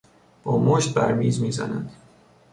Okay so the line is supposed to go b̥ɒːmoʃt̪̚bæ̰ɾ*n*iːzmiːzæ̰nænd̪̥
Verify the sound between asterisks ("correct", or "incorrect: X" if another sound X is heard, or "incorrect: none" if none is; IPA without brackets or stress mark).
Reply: incorrect: m